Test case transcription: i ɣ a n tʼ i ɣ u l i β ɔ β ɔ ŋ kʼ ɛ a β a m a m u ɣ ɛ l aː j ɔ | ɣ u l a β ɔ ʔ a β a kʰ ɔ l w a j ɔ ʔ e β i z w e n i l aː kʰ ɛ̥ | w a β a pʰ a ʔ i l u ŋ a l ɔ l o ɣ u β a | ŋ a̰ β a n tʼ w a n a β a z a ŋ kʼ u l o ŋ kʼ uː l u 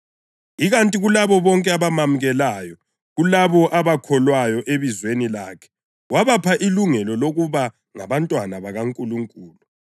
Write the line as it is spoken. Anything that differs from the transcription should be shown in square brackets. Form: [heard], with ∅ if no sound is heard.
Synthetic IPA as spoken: i ɣ a n tʼ i ɣ u l [a] β ɔ β ɔ ŋ kʼ ɛ a β a m a m u ɣ ɛ l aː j ɔ | ɣ u l a β ɔ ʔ a β a kʰ ɔ l w a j ɔ ʔ e β i z w e n i l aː kʰ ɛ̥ | w a β a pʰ a ʔ i l u ŋ [ɛ] l ɔ l o ɣ u β a | ŋ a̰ β a n tʼ w a n a β a [ɣ] a ŋ kʼ u l [u] ŋ kʼ uː l u